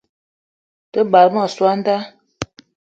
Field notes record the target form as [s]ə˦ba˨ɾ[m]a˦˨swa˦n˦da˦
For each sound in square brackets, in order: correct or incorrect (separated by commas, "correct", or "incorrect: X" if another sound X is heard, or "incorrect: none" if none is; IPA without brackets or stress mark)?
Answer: incorrect: t, correct